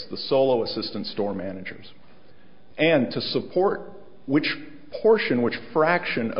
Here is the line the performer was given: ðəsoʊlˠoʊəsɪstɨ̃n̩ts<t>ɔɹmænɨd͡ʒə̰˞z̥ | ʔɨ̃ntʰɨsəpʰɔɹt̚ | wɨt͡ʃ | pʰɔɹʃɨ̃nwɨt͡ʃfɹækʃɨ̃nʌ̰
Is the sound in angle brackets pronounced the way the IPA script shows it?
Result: yes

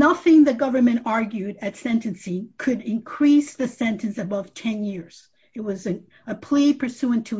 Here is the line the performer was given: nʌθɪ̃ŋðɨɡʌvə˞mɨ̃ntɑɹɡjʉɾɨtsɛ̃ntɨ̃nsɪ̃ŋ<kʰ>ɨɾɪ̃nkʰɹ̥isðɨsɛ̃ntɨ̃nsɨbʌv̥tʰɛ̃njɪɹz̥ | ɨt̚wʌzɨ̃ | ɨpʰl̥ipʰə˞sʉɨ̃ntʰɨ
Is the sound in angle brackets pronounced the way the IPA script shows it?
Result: yes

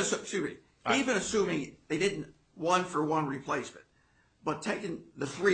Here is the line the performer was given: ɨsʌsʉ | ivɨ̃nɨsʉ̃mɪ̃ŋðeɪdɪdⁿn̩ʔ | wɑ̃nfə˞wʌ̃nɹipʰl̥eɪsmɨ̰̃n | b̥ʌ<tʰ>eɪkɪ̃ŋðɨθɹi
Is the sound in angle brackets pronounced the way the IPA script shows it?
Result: yes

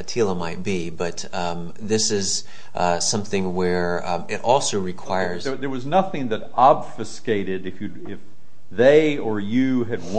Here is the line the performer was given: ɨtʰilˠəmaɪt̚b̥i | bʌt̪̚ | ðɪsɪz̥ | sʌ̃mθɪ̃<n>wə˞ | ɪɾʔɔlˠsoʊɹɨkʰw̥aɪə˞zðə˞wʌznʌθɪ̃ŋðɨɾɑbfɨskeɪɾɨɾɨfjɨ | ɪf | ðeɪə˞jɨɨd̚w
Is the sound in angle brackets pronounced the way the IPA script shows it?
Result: no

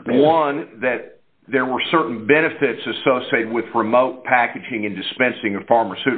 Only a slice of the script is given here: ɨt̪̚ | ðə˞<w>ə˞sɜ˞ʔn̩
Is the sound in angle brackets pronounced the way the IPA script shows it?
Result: yes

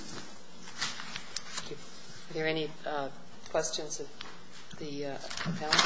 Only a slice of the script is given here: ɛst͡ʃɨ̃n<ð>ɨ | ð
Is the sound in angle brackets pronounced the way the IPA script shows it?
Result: no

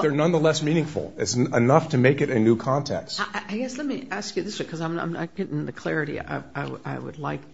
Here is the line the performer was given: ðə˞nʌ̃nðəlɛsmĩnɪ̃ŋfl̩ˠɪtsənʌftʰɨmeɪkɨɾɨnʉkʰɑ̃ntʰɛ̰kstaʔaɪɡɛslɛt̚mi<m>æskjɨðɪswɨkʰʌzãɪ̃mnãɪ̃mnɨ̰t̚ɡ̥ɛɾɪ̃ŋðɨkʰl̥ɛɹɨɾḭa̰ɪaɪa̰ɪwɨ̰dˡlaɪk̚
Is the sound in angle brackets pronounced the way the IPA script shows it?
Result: no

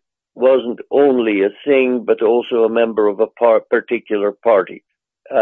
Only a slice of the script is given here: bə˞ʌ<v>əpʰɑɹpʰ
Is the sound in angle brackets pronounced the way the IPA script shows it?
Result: yes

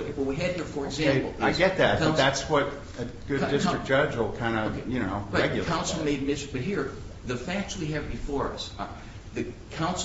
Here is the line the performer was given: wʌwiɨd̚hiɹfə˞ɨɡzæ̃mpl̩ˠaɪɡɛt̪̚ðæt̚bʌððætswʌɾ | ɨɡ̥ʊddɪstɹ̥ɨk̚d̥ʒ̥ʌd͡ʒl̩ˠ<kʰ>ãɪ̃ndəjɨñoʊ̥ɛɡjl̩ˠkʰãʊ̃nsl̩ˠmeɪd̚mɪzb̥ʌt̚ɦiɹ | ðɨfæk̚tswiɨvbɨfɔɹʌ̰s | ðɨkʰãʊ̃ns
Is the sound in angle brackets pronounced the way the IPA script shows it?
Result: yes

